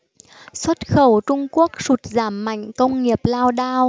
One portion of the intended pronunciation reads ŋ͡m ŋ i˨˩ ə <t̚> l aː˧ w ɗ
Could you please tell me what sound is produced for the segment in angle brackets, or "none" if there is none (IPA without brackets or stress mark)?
p̚